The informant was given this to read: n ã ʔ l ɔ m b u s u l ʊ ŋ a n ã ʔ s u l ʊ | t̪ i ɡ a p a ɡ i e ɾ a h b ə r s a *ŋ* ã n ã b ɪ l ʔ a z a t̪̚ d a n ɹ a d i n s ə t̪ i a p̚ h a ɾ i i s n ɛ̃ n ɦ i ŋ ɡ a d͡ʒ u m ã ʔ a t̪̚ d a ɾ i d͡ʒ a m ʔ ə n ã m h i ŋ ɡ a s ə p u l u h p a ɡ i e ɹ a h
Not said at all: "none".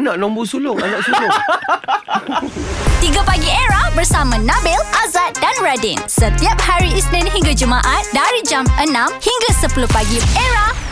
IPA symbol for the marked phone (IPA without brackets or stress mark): m